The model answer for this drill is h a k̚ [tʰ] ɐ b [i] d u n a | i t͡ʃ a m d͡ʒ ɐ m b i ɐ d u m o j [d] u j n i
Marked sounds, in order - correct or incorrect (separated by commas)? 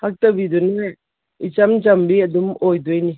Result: incorrect, correct, correct